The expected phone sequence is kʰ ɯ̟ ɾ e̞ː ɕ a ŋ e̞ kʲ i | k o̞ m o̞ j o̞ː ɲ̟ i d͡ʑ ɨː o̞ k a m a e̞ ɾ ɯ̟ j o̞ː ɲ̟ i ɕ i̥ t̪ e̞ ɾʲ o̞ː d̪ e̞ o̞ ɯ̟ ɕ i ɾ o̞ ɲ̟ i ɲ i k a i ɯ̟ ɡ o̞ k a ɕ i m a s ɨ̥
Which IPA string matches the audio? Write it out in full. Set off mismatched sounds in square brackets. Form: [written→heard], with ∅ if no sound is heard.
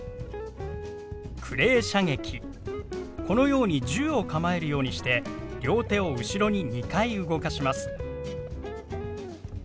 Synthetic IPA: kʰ ɯ̟ ɾ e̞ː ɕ a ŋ e̞ kʲ i | k o̞ [m→n] o̞ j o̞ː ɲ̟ i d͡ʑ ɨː o̞ k a m a e̞ ɾ ɯ̟ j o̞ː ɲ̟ i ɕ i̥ t̪ e̞ ɾʲ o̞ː [d̪→t̪] e̞ o̞ ɯ̟ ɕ i ɾ o̞ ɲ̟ i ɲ i k a i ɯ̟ ɡ o̞ k a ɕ i m a s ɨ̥